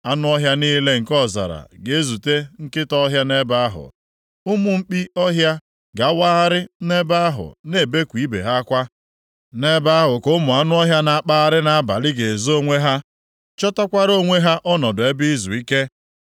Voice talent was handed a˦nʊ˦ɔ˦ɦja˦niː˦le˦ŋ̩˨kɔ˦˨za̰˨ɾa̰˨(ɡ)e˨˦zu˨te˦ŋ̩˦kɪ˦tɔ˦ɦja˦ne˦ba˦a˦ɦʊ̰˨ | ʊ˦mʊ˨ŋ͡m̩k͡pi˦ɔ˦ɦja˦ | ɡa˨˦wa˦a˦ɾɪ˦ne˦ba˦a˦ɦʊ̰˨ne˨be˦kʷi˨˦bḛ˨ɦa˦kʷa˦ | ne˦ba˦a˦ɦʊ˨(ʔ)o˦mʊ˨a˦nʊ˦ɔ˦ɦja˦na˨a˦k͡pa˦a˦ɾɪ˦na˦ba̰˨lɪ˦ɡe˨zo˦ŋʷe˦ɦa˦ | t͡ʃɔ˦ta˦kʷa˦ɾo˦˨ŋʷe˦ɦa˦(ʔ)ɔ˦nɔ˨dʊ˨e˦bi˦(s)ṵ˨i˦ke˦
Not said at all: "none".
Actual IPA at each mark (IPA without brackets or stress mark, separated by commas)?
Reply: ɡ, k, ʔ, z